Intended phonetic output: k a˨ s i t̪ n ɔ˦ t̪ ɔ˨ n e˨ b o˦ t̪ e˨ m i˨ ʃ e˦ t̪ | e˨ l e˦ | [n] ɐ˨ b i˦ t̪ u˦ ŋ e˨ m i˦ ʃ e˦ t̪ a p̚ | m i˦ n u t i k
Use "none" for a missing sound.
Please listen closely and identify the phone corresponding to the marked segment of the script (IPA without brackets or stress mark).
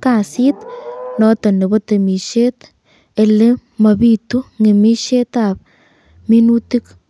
m